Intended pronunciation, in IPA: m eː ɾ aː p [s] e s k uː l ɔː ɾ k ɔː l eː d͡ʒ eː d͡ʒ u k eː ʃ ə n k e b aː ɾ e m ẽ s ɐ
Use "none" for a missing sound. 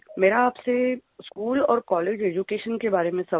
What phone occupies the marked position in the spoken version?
s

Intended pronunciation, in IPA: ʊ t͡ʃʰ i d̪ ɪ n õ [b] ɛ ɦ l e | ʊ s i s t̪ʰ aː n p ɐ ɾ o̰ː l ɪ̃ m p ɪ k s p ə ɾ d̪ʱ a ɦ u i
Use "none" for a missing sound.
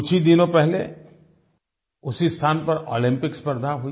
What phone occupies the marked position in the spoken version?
p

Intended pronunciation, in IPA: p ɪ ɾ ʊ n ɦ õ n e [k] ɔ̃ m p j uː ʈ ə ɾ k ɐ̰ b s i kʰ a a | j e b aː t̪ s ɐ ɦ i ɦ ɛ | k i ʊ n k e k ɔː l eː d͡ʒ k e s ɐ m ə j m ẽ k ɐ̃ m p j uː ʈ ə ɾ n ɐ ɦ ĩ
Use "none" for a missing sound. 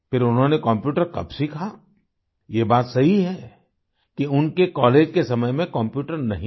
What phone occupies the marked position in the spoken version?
k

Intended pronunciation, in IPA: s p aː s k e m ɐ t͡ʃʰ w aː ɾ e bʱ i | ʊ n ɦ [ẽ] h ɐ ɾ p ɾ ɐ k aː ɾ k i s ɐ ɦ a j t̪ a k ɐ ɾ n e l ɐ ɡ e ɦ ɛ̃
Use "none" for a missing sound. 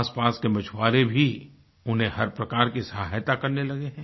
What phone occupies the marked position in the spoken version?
ẽ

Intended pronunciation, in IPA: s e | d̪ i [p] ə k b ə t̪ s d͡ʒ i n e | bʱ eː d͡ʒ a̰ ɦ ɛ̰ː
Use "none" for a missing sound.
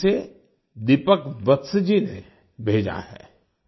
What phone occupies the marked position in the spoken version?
p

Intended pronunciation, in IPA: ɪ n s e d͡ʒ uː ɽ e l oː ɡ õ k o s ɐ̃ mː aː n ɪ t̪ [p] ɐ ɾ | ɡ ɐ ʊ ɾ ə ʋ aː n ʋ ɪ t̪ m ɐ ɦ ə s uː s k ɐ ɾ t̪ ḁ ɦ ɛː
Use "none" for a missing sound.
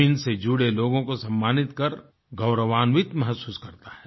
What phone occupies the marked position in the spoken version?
k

